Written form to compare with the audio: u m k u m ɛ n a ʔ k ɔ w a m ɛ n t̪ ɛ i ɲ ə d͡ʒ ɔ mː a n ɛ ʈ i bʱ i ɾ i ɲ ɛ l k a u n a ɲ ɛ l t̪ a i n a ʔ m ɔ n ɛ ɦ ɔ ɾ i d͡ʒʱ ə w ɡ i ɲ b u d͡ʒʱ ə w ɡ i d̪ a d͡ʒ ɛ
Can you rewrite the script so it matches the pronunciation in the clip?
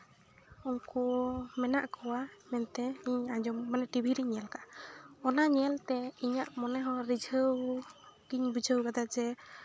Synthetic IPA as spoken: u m k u m ɛ n a ʔ k ɔ w a m ɛ n t̪ ɛ i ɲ a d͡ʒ ɔ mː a n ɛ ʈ i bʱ i ɾ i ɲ ɛ l k a ɔ n a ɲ ɛ l t̪ ɛ i ɲ a ʔ m ɔ n ɛ ɦ ɔ ɾ i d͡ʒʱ ə w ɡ i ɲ b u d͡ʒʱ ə w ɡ a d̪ a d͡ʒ ɛ